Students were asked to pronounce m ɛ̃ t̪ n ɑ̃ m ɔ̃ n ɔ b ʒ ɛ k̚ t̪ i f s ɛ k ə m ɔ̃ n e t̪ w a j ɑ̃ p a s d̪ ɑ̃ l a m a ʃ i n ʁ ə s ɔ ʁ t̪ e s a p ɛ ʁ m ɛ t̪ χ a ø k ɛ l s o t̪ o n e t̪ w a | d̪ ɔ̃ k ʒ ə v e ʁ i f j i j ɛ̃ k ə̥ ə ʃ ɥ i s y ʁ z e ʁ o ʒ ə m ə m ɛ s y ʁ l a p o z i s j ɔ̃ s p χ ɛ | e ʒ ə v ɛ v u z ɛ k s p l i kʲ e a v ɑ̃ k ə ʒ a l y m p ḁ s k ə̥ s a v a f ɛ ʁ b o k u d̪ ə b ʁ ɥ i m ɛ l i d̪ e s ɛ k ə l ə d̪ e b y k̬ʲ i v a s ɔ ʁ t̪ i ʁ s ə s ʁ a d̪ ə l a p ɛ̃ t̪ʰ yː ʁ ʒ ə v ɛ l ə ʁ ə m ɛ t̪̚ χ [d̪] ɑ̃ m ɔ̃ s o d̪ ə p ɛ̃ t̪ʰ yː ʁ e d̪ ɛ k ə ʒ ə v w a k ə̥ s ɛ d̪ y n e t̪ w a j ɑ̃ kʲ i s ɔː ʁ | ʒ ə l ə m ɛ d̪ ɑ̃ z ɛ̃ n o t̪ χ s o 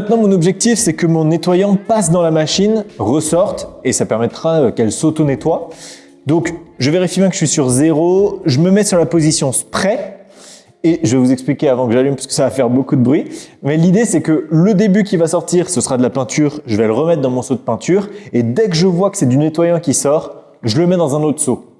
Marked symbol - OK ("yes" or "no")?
yes